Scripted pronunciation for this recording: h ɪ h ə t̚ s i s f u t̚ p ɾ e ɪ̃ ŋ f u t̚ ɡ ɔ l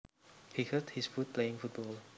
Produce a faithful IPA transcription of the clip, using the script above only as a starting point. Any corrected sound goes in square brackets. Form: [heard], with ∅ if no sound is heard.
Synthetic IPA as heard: h [i] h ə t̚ [h] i s f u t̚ p [l] e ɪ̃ ŋ f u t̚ [b] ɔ l